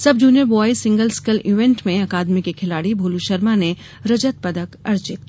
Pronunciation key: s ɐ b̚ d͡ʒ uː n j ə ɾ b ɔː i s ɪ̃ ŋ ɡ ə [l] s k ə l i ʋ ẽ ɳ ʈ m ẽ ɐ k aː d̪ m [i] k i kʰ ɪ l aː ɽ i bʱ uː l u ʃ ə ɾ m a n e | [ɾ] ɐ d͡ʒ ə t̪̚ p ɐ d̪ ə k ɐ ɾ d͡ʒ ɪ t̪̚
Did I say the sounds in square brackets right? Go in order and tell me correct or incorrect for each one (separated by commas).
correct, correct, correct